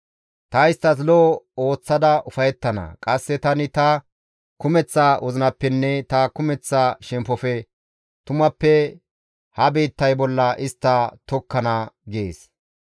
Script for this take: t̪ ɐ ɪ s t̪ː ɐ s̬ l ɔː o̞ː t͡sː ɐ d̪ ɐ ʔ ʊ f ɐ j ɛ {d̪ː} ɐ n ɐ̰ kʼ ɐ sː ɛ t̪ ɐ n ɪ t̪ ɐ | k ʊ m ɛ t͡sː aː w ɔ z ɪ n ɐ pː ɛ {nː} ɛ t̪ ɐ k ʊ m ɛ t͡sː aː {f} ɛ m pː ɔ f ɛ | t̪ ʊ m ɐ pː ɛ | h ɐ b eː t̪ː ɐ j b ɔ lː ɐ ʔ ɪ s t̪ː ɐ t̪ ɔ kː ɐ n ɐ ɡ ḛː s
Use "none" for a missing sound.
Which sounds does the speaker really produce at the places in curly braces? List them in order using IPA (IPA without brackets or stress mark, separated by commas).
t̪ː, nː, ʃ